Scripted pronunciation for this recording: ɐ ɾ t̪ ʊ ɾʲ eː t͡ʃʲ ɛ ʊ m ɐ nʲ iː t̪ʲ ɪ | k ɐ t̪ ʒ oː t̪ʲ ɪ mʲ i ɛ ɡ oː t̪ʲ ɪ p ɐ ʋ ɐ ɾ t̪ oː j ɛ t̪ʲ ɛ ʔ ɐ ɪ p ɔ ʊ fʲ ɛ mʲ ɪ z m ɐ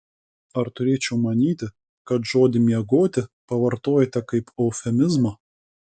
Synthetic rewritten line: ɐ ɾ t̪ ʊ ɾʲ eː t͡ʃʲ ɛ ʊ m ɐ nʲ iː t̪ʲ ɪ | k ɐ t̪ ʒ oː d̪ʲ ɪ mʲ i ɛ ɡ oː t̪ʲ ɪ p ɐ ʋ ɐ ɾ t̪ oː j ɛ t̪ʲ ɛ k ɐ ɪ p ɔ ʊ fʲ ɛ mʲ ɪ z m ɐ